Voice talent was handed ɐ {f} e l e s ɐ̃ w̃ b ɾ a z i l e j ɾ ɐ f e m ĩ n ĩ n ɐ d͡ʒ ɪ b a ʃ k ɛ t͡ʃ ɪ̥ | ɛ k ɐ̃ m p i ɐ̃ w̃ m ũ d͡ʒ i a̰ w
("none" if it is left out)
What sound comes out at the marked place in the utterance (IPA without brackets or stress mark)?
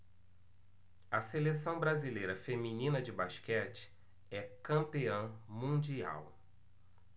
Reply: s